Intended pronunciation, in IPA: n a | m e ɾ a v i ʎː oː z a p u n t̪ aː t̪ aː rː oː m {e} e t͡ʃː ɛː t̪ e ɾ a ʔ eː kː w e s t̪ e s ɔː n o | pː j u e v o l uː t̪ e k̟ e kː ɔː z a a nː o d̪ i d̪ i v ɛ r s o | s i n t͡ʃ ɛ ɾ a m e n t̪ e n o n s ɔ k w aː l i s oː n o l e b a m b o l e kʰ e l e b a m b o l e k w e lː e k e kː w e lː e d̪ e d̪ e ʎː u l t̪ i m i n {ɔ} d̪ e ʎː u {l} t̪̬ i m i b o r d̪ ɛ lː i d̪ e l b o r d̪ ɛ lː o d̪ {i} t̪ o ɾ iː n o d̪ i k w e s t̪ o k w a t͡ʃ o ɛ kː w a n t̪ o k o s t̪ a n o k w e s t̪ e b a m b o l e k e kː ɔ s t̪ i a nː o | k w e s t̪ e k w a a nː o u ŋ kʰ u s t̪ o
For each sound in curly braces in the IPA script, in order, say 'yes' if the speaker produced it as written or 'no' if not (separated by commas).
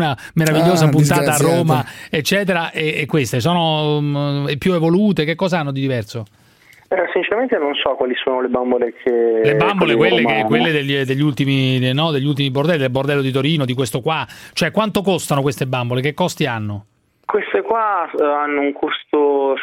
no, yes, yes, yes